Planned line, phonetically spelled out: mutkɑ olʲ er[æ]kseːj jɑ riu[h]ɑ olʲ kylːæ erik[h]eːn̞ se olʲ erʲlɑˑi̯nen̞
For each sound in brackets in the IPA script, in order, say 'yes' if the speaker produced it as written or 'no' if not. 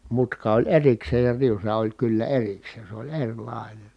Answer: no, no, no

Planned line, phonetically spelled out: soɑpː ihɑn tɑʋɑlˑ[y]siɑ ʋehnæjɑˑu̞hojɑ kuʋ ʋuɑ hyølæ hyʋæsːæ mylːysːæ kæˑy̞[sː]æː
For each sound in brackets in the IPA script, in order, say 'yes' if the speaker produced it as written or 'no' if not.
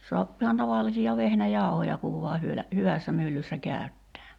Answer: no, no

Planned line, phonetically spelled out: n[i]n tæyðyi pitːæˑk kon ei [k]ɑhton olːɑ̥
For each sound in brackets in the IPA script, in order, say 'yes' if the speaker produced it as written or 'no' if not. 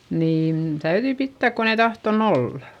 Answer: no, no

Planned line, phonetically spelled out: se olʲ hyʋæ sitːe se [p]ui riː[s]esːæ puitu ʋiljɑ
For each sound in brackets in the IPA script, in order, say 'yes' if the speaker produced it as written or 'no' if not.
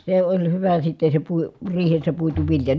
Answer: yes, no

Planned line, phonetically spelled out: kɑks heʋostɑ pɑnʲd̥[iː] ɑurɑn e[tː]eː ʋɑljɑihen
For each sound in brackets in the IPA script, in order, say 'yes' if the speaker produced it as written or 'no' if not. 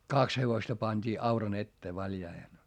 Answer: yes, yes

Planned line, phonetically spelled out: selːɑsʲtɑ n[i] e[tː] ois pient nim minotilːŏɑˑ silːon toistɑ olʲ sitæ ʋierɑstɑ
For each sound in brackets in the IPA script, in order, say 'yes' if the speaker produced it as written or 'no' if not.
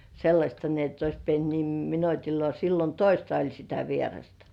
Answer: yes, yes

